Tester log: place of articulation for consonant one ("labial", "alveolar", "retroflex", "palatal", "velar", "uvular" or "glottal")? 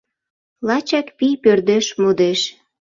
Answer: alveolar